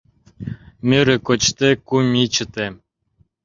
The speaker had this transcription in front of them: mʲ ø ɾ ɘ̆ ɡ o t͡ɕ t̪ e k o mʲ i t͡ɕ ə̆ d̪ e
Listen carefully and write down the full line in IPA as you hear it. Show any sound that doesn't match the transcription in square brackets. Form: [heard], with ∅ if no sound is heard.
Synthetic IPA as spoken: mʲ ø ɾ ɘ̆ [k] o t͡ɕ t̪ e k [u] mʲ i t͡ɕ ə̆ [t̪] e